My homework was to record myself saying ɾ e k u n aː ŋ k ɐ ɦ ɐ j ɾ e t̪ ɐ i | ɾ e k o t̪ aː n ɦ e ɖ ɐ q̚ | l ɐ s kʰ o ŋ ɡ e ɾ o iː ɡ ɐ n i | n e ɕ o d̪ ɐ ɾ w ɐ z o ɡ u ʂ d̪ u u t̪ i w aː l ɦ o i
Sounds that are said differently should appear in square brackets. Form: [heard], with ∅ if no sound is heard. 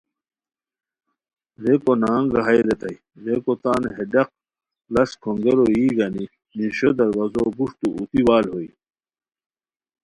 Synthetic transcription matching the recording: ɾ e k [o] n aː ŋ [ɡ] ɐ ɦ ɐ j ɾ e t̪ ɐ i | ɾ e k o t̪ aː n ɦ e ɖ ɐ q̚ | l ɐ s kʰ o ŋ ɡ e ɾ o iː ɡ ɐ n i | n [i] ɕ o d̪ ɐ ɾ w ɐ z o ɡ u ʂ [t̪] u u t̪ i w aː l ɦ o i